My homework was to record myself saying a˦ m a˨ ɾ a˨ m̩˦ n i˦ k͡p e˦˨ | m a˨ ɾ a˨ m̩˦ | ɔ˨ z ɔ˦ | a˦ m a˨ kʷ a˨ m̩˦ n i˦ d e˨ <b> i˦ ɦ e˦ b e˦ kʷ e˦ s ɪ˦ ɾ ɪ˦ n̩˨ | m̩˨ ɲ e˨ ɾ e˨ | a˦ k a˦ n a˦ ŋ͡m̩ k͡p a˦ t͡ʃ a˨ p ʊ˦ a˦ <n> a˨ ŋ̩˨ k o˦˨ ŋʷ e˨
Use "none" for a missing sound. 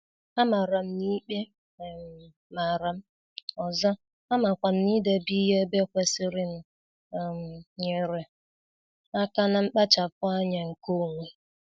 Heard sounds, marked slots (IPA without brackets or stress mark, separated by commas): b, ɲ